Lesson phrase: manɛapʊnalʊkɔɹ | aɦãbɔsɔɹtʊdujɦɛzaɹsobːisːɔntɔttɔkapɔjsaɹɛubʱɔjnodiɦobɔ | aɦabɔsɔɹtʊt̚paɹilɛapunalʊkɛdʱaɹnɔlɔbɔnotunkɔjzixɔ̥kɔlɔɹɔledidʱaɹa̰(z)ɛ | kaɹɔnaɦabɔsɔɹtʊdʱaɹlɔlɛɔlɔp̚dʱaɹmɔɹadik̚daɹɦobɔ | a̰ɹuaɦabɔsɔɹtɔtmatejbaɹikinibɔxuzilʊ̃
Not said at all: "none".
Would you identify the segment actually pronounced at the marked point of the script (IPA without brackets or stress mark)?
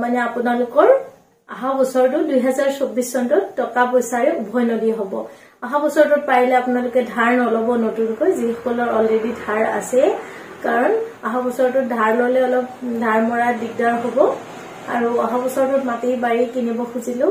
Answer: s